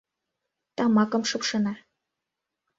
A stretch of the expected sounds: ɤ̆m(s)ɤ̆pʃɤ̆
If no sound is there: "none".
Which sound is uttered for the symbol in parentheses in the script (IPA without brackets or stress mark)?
ʃ